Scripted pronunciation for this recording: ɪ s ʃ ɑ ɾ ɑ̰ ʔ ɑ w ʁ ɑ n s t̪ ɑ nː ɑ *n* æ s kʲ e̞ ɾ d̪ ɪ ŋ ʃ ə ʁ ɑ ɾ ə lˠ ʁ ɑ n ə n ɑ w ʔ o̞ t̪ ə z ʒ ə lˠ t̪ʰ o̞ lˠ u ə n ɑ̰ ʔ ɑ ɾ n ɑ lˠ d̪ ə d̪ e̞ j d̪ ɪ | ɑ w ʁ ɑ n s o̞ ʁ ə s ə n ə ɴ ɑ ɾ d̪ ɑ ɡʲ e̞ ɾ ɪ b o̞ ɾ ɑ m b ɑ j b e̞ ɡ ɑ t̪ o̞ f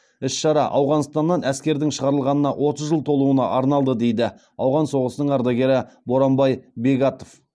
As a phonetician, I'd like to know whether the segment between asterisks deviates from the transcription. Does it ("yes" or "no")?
no